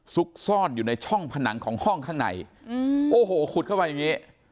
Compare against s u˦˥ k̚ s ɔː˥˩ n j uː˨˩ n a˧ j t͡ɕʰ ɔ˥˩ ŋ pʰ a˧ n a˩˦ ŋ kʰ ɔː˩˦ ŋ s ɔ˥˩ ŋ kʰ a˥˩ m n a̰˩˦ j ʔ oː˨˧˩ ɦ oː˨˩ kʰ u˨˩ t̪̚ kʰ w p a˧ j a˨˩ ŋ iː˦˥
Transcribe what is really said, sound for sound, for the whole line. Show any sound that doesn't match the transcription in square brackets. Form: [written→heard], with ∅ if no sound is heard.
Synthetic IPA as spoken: s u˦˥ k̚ s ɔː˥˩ n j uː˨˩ n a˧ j t͡ɕʰ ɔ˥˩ ŋ pʰ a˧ n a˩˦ ŋ kʰ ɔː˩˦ ŋ [s→h] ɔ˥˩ ŋ kʰ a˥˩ [m→ŋ] n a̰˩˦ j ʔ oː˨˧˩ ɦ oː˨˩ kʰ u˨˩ t̪̚ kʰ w p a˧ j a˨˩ ŋ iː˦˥